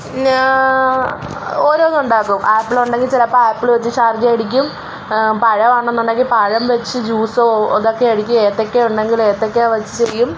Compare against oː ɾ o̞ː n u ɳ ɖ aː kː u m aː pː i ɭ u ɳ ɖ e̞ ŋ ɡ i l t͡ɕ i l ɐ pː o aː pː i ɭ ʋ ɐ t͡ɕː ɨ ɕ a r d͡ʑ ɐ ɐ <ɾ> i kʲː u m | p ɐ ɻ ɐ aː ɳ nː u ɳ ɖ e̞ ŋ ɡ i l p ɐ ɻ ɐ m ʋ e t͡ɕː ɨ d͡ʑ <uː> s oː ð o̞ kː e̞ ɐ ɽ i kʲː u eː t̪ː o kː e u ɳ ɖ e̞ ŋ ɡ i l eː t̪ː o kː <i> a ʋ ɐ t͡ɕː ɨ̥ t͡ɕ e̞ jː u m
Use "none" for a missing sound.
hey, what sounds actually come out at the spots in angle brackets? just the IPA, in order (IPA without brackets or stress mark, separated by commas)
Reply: ɽ, uː, e